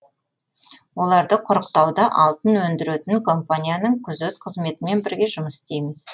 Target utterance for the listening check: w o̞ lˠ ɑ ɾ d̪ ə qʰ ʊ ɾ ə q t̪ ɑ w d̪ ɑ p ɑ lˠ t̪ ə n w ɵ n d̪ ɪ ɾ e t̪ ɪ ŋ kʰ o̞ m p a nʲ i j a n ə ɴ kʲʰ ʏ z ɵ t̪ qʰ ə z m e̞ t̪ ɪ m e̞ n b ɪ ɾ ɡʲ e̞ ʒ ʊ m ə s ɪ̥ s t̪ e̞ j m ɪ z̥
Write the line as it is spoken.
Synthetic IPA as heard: w o̞ lˠ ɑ ɾ d̪ ə qʰ ʊ ɾ ə q t̪ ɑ w d̪ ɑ ʔ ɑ lˠ t̪ ə n w ɵ n d̪ ɪ ɾ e t̪ ɪ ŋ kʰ o̞ m p a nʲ i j a n ə ɴ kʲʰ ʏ z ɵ t̪ qʰ ə z m e̞ t̪ ɪ m e̞ n b ɪ ɾ ɡʲ e̞ ʒ ʊ m ə s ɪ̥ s t̪ e̞ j m ɪ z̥